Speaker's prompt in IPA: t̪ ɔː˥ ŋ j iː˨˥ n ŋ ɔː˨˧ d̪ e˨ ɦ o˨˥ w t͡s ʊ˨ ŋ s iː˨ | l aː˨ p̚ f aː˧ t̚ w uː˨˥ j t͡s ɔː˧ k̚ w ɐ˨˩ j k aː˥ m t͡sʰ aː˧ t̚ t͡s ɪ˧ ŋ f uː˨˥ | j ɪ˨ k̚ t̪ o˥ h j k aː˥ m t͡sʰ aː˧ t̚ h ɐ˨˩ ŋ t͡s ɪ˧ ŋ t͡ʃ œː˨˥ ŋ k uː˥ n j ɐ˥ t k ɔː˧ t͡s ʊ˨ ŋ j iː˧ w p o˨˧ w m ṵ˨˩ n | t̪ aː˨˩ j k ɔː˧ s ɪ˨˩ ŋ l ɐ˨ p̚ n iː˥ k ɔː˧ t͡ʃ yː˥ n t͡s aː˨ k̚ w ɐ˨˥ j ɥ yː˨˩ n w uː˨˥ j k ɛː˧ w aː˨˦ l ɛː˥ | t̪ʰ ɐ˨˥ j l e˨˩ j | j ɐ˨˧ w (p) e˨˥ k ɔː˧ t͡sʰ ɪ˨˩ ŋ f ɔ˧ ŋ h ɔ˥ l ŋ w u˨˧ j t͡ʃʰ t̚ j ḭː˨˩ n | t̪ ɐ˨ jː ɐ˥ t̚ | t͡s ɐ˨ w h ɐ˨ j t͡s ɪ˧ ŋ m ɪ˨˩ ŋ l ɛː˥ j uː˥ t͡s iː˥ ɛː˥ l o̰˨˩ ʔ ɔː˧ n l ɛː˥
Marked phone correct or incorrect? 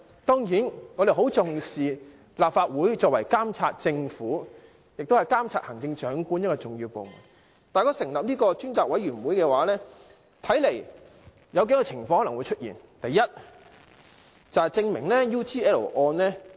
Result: incorrect